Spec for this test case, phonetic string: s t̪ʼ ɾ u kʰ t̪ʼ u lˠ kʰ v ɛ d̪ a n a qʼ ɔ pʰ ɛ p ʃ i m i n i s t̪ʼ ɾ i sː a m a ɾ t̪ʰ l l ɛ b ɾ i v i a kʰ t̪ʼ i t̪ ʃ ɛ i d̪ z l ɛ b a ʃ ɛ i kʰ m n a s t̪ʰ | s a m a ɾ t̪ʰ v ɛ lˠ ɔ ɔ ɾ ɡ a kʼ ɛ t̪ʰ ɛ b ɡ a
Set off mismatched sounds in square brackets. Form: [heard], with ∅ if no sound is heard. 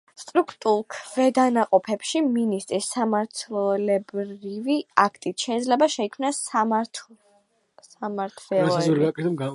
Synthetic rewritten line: s t̪ʼ ɾ u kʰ t̪ʼ u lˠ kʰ v ɛ d̪ a n a qʼ ɔ pʰ ɛ p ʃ i m i n i s t̪ʼ ɾ i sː a m a ɾ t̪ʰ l l ɛ b ɾ i v i a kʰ t̪ʼ i t̪ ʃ ɛ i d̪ z l ɛ b a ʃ ɛ i kʰ m n a s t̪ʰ | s a m a ɾ t̪ʰ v ɛ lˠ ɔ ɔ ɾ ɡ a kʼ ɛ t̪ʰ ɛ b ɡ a

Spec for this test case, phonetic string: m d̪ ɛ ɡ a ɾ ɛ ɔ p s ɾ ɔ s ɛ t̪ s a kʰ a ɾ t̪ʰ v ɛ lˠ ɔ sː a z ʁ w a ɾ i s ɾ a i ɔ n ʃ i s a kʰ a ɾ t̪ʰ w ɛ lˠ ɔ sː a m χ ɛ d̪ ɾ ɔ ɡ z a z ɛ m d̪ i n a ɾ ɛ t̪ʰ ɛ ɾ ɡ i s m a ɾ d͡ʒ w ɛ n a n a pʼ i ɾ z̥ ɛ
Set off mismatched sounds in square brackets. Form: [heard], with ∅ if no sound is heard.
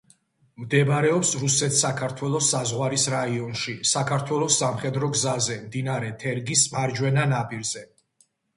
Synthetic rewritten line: m d̪ ɛ [b] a ɾ ɛ ɔ p s ɾ [u] s ɛ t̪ s a kʰ a ɾ t̪ʰ [w] ɛ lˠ ɔ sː a z ʁ w a ɾ i s ɾ a i ɔ n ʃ i s a kʰ a ɾ t̪ʰ w ɛ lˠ ɔ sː a m χ ɛ d̪ ɾ ɔ ɡ z a z ɛ m d̪ i n a ɾ ɛ t̪ʰ ɛ ɾ ɡ i s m a ɾ d͡ʒ w ɛ n a n a pʼ i ɾ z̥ ɛ

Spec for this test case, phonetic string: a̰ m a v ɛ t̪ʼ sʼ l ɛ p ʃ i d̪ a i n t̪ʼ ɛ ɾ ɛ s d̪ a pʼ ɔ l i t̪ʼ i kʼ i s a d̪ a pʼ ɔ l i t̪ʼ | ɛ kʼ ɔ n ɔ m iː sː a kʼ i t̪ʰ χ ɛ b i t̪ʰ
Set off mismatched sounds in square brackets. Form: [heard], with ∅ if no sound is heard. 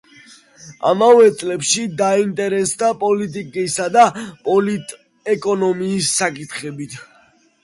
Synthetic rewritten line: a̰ m a v ɛ [t̪] sʼ l ɛ p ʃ i d̪ a i n t̪ʼ ɛ ɾ ɛ s d̪ a pʼ ɔ l i t̪ʼ i kʼ i s a d̪ a pʼ ɔ l i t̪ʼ | ɛ kʼ ɔ n ɔ m iː sː a kʼ i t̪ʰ χ ɛ b i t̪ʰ

